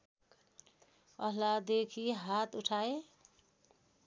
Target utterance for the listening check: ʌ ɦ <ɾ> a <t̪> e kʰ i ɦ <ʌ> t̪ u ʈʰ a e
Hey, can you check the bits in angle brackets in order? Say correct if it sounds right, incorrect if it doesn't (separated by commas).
incorrect, incorrect, incorrect